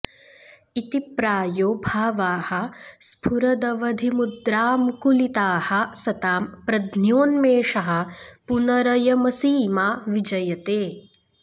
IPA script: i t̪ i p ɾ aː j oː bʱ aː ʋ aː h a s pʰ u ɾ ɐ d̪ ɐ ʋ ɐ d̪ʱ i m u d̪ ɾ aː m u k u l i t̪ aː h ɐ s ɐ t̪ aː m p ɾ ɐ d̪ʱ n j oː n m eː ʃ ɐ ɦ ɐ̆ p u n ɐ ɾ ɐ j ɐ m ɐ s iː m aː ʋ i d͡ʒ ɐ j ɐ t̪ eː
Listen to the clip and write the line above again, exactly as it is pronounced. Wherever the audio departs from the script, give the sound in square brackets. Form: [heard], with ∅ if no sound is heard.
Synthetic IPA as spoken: i t̪ i p ɾ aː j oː bʱ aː ʋ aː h [ɐ] s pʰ u ɾ ɐ d̪ ɐ ʋ ɐ d̪ʱ i m u d̪ ɾ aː m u k u l i t̪ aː h ɐ s ɐ t̪ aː m p ɾ ɐ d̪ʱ n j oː n m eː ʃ ɐ ɦ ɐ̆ p u n ɐ ɾ ɐ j ɐ m ɐ s iː m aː ʋ i d͡ʒ ɐ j ɐ t̪ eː